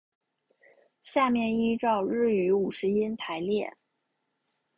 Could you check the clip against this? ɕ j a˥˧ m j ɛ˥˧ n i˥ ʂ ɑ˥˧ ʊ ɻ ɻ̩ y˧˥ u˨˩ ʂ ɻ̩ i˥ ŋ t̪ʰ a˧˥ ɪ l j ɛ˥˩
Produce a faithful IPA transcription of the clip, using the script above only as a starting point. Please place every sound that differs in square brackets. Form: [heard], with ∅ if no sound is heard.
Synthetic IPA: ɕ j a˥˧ m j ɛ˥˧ n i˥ [ʈ͡ʂ] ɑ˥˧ ʊ ɻ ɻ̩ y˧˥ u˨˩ ʂ ɻ̩ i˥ [n] t̪ʰ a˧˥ ɪ l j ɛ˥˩